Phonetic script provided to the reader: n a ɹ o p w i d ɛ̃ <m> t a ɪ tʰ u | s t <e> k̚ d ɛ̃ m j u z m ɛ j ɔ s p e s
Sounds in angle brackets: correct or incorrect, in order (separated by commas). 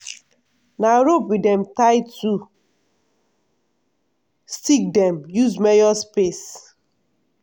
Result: correct, incorrect